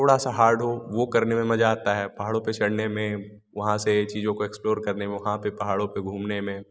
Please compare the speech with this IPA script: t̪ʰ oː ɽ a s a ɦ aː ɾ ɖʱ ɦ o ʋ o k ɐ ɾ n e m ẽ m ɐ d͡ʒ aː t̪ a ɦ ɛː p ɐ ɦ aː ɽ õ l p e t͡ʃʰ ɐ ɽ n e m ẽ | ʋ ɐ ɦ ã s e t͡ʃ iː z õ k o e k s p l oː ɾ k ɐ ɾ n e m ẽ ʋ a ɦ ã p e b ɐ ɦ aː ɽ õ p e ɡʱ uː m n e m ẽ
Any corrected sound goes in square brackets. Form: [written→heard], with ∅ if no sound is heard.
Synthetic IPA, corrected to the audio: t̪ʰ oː ɽ a s a ɦ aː ɾ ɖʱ ɦ o ʋ o k ɐ ɾ n e m ẽ m ɐ d͡ʒ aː t̪ a ɦ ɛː p ɐ ɦ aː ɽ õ [l→∅] p e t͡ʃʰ ɐ ɽ n e m ẽ | ʋ ɐ ɦ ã s e t͡ʃ iː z õ k o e k s p l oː ɾ k ɐ ɾ n e m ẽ ʋ [a→ɐ] ɦ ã p e [b→p] ɐ ɦ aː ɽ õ p e ɡʱ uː m n e m ẽ